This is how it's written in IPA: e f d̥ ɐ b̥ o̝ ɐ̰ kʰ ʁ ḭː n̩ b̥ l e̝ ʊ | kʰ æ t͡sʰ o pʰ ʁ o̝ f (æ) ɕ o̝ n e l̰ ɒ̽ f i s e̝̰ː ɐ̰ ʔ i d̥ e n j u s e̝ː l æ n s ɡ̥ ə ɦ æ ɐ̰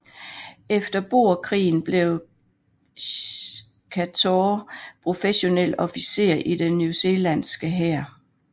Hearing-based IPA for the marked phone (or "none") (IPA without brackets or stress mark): e